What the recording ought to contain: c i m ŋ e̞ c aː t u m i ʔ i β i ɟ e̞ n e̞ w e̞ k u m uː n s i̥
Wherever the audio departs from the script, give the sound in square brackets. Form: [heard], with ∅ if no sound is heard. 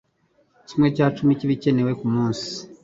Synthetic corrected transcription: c i m ŋ e̞ c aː [t͡ʃ] u m i [c] i β i [c] e̞ n e̞ w e̞ k u m uː n s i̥